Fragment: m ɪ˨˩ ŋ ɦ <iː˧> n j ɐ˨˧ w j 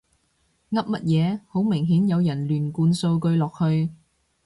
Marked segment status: incorrect: iː˨˥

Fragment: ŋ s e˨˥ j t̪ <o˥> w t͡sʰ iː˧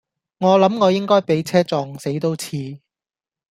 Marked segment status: correct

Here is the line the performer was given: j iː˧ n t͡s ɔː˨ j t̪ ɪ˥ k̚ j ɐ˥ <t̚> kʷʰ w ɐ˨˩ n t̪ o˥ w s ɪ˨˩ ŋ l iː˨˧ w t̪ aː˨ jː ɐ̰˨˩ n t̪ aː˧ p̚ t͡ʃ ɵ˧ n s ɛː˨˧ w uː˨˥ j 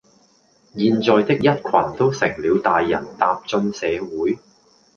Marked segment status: correct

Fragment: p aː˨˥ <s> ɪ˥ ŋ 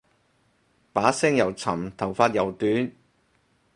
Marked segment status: correct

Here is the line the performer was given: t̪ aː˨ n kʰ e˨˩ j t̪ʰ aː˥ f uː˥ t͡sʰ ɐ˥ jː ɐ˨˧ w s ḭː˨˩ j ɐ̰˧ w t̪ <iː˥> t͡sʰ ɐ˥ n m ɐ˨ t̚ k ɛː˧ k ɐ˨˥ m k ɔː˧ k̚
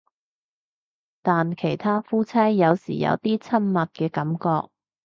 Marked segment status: correct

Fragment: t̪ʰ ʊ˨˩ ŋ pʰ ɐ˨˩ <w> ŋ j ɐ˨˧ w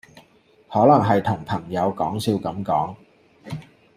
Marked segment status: incorrect: none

